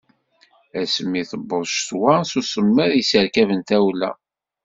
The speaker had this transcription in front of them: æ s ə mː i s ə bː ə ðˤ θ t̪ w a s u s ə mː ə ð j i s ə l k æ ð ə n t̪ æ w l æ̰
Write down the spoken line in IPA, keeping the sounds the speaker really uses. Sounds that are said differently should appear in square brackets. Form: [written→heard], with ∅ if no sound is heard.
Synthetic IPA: æ s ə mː i [s→θ] ə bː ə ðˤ [θ→ʃ] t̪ w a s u s ə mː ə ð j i s ə [l→ɾ] k æ [ð→v] ə n t̪ æ w l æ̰